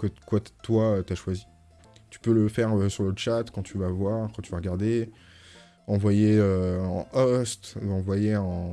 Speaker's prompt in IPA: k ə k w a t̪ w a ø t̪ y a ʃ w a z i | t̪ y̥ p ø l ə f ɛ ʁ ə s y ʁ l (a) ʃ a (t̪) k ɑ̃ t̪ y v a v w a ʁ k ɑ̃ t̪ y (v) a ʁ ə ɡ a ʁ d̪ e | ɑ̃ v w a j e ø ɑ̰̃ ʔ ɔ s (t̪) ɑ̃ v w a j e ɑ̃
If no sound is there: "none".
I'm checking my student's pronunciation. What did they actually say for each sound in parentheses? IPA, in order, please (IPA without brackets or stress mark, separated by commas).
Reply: ə, t̪, v, t̪